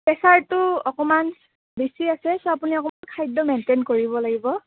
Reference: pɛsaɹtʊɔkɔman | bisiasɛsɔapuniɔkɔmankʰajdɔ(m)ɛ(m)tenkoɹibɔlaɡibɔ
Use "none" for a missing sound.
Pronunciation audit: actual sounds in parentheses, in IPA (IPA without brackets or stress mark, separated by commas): m, n